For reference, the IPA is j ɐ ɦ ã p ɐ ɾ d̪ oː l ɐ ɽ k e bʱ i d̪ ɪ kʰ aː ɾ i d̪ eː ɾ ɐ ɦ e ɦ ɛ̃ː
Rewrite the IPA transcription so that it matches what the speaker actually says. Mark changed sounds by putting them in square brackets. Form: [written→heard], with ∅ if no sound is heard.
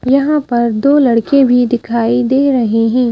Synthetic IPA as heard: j ɐ ɦ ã p ɐ ɾ d̪ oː l ɐ ɽ k e bʱ i d̪ ɪ kʰ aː [ɾ→∅] i d̪ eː ɾ ɐ ɦ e ɦ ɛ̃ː